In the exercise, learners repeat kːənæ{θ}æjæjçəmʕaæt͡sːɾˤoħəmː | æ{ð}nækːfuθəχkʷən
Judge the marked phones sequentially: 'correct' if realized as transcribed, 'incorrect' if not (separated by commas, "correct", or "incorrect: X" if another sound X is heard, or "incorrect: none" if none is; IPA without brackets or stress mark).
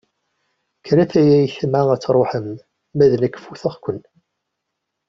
correct, correct